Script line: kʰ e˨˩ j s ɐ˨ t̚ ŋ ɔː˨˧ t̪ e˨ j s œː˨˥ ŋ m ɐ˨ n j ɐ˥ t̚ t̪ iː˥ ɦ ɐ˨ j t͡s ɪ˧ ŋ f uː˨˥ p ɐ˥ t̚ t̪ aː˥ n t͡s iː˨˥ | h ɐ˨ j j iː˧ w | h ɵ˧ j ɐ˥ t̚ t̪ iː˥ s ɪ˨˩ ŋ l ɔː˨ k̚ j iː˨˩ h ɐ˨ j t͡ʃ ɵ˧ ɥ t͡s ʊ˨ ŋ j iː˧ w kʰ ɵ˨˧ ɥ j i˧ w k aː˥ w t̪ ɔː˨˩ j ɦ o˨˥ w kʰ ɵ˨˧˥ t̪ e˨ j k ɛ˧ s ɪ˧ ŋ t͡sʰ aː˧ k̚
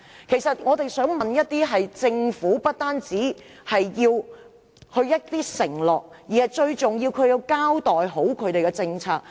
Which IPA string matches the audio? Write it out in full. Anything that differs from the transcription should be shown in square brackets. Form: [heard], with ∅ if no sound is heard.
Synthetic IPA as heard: kʰ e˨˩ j s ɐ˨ t̚ ŋ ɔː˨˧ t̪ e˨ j s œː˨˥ ŋ m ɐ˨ n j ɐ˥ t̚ t̪ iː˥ ɦ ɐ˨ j t͡s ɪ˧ ŋ f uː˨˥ p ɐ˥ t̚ t̪ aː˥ n t͡s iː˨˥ | h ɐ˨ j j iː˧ w | h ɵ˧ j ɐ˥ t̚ t̪ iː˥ s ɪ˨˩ ŋ l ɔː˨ k̚ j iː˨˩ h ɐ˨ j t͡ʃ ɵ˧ ɥ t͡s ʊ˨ ŋ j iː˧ w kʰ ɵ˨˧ ɥ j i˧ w k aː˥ w t̪ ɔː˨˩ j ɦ o˨˥ w kʰ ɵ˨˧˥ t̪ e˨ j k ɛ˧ [t͡s] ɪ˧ ŋ t͡sʰ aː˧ k̚